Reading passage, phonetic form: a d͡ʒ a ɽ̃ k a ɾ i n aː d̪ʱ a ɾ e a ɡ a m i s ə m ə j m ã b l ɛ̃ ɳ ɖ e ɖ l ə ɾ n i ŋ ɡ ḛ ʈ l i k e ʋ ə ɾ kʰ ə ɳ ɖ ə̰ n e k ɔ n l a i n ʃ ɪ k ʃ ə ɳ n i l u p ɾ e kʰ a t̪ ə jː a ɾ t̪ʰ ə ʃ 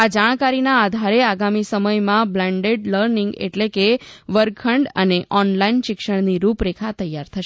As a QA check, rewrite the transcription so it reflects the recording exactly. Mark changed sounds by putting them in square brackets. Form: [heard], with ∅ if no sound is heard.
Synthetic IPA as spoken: a d͡ʒ a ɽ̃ k a ɾ i n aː d̪ʱ a ɾ e a ɡ a m i s ə m ə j m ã b l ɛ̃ ɳ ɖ e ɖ l ə ɾ n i ŋ ɡ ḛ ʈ l [e] k e ʋ ə ɾ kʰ ə ɳ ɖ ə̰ n e [ʔ] ɔ n l a i n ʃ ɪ k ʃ ə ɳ n i [ɾ] u p ɾ e kʰ a t̪ ə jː a ɾ t̪ʰ ə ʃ